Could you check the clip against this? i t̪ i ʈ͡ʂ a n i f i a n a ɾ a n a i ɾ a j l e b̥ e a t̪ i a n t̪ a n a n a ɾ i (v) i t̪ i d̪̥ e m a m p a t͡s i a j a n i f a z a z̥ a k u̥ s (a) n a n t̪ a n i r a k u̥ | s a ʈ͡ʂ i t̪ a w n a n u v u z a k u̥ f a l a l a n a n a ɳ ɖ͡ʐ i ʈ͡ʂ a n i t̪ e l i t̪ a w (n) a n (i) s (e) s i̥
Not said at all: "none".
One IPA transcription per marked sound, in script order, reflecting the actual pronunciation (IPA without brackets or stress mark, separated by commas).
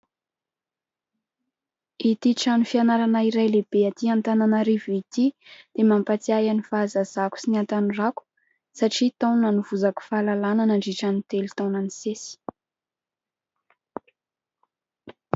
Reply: v, i, n, i, e